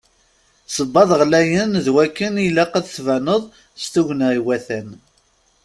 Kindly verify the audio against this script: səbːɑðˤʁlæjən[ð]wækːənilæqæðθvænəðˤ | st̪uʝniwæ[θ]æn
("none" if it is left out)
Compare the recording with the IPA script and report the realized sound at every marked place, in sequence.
ð, θ

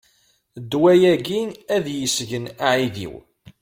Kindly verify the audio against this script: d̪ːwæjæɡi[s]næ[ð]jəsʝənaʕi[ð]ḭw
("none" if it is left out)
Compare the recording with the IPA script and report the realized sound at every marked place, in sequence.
none, ð, ð

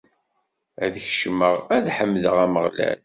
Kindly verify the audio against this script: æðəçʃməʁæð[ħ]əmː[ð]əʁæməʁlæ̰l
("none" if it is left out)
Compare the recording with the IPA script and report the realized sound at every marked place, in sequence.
ħ, ð

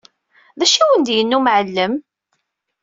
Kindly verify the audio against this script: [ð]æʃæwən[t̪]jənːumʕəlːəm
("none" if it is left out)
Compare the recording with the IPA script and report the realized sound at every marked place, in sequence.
ð, d̪

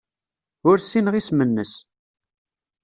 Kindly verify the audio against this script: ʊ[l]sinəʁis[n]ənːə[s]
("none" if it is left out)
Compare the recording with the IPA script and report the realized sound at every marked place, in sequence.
ɾ, m, s

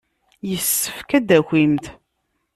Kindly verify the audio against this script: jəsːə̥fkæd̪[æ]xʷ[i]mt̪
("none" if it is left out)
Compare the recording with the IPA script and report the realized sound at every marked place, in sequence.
æ, i

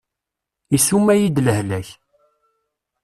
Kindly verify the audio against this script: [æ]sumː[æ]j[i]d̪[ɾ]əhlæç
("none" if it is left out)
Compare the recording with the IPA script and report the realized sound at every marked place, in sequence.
i, æ, i, l

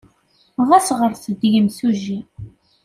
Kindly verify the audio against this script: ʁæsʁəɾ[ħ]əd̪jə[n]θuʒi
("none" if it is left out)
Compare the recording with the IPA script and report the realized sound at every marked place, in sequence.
θ, m

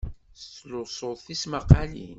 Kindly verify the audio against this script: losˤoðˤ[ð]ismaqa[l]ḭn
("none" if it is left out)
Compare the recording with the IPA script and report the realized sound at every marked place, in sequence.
θ, l

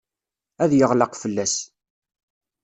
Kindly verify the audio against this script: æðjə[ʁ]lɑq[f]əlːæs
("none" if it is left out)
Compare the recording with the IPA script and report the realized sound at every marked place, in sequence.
ʁ, f

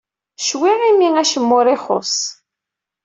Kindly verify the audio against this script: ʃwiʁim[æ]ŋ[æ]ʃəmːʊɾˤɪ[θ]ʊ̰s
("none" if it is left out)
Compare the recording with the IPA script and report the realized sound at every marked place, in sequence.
i, æ, χ

